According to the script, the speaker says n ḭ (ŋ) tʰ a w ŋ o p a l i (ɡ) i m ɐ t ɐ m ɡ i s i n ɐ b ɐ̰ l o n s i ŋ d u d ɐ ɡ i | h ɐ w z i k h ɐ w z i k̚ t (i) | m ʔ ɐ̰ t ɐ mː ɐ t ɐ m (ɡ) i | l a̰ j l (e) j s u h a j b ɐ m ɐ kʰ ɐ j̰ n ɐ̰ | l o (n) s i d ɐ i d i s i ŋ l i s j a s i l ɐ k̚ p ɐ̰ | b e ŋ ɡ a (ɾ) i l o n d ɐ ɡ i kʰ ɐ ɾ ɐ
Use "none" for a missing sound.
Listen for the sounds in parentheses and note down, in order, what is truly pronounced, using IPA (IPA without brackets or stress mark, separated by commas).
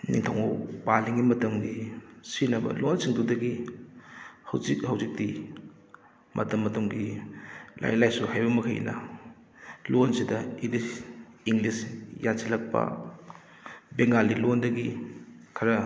ŋ, ŋ, i, ɡ, a, n, l